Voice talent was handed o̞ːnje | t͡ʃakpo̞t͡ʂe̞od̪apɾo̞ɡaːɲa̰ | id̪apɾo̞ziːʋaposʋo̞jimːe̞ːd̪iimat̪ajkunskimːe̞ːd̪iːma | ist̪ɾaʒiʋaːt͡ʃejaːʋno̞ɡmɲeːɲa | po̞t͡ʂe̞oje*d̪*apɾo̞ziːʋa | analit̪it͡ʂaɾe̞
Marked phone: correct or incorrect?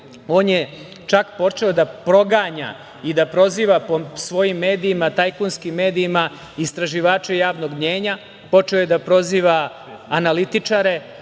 correct